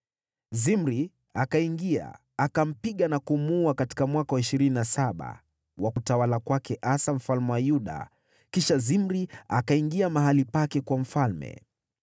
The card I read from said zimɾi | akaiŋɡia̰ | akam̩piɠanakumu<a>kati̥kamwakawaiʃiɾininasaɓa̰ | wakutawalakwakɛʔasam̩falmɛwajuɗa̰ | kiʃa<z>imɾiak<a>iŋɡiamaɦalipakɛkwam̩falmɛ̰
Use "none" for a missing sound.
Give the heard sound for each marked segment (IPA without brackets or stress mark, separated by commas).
a, z, a